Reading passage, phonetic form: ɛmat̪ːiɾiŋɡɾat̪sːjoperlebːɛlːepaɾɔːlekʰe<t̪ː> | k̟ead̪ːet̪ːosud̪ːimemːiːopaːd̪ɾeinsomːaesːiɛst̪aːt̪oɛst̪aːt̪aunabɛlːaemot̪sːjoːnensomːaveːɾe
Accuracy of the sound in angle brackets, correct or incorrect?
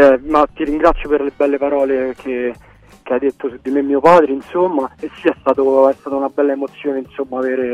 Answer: incorrect